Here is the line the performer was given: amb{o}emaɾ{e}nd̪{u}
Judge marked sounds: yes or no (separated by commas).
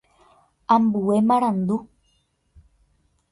no, no, yes